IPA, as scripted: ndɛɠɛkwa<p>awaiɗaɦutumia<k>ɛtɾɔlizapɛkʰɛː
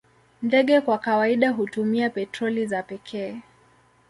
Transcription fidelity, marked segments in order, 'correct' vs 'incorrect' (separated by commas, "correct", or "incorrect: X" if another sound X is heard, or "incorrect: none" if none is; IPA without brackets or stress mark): incorrect: k, incorrect: p